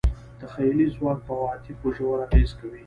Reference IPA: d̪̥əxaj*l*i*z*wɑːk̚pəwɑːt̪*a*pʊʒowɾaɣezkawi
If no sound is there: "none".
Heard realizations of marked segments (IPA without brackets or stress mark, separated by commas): l, z, i